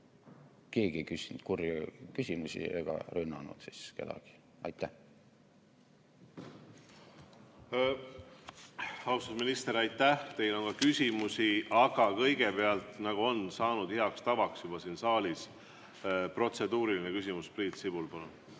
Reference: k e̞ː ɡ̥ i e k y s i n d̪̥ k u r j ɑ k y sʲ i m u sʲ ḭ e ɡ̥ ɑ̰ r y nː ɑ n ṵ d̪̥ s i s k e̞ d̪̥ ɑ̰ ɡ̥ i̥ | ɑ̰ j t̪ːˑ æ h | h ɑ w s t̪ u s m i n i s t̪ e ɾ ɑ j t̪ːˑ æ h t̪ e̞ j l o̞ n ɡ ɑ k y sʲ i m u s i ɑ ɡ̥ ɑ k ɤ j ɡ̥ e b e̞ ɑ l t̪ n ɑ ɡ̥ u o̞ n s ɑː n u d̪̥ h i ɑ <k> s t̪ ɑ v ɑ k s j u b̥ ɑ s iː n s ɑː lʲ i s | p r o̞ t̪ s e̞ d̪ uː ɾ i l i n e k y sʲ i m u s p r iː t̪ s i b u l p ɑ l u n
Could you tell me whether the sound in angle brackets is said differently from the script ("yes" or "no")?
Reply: no